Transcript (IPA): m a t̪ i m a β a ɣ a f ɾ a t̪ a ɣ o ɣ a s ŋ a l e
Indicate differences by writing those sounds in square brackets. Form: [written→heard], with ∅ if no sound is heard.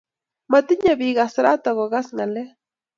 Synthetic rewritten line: m a t̪ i [m→ɲ] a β [a→i] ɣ a [f→s] ɾ a t̪ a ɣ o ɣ a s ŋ a l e